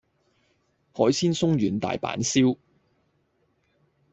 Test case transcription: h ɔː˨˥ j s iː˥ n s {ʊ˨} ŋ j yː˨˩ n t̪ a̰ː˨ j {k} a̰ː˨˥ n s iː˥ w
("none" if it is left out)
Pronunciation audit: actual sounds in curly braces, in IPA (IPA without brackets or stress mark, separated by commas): ʊ˥, p